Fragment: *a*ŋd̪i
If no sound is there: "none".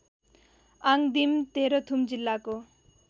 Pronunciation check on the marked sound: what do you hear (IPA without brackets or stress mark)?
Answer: a